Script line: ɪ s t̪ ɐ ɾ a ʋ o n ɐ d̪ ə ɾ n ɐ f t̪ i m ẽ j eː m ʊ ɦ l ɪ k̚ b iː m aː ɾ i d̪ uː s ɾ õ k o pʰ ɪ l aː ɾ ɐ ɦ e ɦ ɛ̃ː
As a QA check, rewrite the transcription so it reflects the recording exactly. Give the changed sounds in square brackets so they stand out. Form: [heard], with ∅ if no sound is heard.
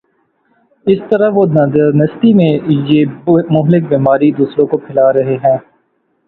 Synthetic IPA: ɪ s t̪ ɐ ɾ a ʋ o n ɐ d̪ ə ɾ n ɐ [s] t̪ i m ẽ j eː m ʊ ɦ l ɪ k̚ b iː m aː ɾ i d̪ uː s ɾ õ k o pʰ ɪ l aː ɾ ɐ ɦ e ɦ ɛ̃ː